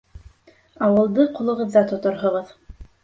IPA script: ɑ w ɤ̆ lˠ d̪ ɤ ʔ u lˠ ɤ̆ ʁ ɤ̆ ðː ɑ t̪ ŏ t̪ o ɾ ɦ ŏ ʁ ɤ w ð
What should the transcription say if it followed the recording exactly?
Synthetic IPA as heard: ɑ w ɤ̆ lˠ d̪ ɤ q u lˠ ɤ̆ ʁ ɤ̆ ðː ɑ t̪ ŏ t̪ o ɾ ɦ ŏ ʁ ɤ ð